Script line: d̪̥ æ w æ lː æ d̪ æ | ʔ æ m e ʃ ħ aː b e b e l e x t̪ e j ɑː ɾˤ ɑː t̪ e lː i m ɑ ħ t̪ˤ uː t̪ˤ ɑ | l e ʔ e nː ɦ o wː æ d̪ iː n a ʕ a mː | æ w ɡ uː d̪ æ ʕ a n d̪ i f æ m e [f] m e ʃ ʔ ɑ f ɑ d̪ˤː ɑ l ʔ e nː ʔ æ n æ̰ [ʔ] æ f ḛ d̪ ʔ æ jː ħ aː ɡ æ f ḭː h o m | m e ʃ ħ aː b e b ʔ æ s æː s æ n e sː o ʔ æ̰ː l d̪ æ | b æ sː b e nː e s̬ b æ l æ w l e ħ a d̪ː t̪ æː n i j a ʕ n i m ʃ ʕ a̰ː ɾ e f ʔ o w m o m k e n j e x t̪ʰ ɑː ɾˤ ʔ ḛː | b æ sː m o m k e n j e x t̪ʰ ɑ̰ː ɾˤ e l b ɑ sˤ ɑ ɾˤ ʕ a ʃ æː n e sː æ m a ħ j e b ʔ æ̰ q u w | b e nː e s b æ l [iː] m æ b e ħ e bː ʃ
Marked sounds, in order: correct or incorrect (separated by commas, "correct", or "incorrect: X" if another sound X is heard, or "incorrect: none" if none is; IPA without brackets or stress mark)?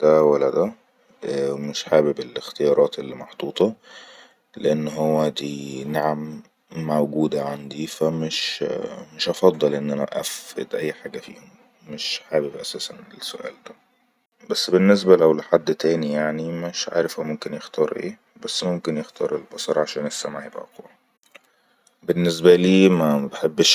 incorrect: ʃ, correct, correct